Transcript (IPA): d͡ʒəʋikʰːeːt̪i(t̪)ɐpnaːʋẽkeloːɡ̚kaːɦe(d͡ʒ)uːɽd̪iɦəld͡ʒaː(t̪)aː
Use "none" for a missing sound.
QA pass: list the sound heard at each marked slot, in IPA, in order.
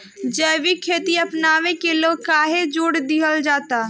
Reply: none, d͡ʒ, t̪

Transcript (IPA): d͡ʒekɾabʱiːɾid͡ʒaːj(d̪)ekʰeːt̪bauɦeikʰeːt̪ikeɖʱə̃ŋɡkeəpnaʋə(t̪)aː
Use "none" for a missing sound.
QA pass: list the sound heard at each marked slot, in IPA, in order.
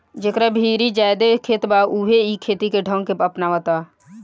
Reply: d̪, t̪

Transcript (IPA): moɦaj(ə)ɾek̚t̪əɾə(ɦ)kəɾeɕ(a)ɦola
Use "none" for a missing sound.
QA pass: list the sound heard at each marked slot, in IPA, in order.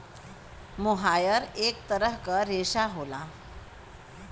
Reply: ə, ɦ, a

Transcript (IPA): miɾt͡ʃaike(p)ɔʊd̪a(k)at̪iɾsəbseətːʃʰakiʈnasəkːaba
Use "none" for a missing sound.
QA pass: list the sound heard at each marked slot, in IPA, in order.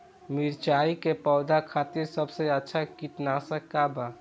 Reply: p, kʰ

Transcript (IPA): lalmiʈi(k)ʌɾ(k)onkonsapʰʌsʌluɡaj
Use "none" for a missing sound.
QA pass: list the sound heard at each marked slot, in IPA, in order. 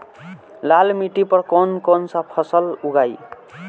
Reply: p, k

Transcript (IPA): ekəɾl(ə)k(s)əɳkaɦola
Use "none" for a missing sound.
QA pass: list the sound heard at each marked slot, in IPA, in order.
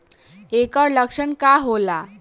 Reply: ə, ʂ

